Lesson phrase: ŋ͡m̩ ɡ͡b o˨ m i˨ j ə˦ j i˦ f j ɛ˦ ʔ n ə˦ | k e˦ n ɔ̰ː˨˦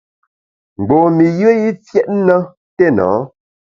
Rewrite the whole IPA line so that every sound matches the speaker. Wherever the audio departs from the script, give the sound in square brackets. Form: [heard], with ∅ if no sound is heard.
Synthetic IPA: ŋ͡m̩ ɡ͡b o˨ m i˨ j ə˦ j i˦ f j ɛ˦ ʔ n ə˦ | [t] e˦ n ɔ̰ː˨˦